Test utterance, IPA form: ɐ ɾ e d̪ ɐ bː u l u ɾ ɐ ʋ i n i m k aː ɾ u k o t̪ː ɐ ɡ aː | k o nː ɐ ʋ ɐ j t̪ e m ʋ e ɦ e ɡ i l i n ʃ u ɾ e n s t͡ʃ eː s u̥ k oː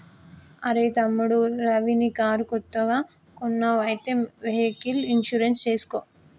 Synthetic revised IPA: ɐ ɾ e t̪ ɐ mː u ɽ u ɾ ɐ ʋ i n i k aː ɾ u k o t̪ː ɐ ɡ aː | k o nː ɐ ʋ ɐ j t̪ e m ʋ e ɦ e k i l i n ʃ u ɾ e n s t͡ʃ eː s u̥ k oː